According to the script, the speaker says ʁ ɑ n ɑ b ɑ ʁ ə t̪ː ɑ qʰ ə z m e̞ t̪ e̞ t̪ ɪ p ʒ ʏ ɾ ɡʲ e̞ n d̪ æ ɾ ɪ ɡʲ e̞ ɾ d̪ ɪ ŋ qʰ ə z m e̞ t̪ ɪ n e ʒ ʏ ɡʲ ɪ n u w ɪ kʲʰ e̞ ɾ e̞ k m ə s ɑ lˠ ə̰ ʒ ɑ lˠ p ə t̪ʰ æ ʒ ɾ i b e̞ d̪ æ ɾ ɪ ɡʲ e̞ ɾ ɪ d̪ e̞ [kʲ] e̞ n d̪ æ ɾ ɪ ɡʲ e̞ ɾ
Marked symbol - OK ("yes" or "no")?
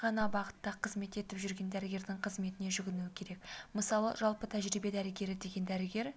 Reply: no